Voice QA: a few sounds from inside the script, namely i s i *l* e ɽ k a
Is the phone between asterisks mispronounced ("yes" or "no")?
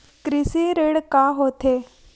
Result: yes